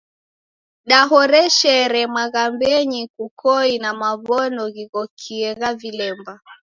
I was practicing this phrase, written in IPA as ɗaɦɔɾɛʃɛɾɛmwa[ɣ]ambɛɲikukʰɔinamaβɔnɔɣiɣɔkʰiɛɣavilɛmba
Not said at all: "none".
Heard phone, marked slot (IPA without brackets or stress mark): ɣ